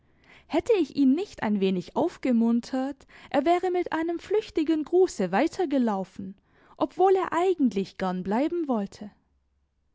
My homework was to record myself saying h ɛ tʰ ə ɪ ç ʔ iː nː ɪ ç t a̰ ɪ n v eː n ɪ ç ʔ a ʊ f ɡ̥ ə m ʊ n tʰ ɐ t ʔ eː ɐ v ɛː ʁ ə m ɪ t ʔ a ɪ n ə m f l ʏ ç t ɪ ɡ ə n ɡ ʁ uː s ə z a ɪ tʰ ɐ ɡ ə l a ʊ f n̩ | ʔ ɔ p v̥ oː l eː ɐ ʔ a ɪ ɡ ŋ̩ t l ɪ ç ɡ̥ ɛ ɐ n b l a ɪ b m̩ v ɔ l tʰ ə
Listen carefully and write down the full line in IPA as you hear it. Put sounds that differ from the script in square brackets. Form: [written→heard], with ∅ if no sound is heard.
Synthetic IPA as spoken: h ɛ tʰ ə ɪ ç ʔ iː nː ɪ ç t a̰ ɪ n v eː n ɪ ç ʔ a ʊ f ɡ̥ ə m ʊ n tʰ ɐ t ʔ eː ɐ v ɛː ʁ ə m ɪ t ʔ a ɪ n ə m f l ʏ ç t ɪ ɡ ə n ɡ ʁ uː s ə [z→v] a ɪ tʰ ɐ ɡ ə l a ʊ f n̩ | ʔ ɔ p v̥ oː l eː ɐ ʔ a ɪ ɡ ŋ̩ t l ɪ ç ɡ̥ ɛ ɐ n b l a ɪ b m̩ v ɔ l tʰ ə